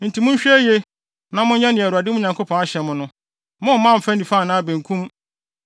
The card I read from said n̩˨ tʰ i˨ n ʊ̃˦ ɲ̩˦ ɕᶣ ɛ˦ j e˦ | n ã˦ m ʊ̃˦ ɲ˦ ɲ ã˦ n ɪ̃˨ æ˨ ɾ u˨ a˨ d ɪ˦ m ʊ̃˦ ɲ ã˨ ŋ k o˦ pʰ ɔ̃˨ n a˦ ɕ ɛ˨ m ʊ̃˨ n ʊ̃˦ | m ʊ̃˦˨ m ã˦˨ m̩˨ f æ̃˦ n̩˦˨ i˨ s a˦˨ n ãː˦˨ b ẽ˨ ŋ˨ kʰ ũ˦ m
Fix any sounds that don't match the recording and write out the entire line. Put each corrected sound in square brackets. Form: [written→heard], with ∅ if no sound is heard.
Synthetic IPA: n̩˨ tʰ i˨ [n→m] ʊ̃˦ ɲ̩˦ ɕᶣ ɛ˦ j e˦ | n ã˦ m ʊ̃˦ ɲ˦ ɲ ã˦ n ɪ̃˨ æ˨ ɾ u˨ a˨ d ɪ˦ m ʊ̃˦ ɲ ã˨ ŋ k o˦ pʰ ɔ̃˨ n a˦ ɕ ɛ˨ m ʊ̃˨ n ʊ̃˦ | m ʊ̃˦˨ m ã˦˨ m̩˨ f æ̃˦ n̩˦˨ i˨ [s→f] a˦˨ n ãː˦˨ b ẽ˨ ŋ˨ kʰ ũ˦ m

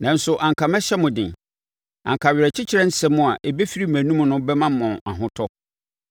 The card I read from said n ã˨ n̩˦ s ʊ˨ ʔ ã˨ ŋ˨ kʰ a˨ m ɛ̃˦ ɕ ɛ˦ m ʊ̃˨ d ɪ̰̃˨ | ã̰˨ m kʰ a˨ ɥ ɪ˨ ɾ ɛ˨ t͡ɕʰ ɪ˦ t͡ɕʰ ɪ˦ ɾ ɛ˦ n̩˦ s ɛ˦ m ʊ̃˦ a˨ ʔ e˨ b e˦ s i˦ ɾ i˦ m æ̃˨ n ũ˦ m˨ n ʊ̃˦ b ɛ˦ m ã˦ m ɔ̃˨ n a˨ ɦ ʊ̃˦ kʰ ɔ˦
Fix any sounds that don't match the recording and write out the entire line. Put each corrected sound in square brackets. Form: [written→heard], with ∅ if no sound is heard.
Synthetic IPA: n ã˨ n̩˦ s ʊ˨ ʔ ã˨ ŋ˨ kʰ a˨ m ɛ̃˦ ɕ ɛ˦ m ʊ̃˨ d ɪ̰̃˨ | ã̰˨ [m→ŋ] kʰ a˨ ɥ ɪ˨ ɾ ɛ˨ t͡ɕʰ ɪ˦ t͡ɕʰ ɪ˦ ɾ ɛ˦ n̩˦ s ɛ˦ m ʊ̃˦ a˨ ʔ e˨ b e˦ [s→f] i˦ ɾ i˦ m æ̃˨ n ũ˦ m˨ n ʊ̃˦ b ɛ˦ m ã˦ m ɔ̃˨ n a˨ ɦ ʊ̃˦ [kʰ→tʰ] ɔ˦

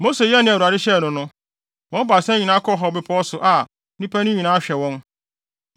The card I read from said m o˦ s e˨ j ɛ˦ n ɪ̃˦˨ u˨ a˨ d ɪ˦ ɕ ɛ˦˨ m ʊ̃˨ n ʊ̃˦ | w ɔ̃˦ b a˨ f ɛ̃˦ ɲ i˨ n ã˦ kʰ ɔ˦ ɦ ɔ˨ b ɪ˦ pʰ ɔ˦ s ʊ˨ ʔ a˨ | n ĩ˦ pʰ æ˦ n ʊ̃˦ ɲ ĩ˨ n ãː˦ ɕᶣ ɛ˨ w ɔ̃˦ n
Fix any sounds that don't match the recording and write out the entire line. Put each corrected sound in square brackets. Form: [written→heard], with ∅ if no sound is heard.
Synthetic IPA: m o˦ s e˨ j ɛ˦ n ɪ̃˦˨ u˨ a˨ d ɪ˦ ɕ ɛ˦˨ [m→n] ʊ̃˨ n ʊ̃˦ | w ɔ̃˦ b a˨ [f→s] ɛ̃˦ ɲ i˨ n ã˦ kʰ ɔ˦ ɦ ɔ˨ b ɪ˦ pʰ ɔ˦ s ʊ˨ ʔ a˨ | n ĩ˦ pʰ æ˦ n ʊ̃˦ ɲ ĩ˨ n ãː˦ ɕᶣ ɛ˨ w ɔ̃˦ n

